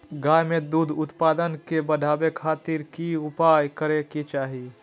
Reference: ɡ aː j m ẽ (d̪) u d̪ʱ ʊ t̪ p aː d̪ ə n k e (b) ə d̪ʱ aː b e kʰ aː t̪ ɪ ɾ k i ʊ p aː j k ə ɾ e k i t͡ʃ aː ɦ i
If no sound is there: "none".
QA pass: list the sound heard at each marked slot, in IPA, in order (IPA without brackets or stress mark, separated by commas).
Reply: d̪, b